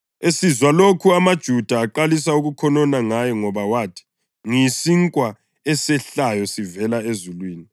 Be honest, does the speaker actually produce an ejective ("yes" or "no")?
yes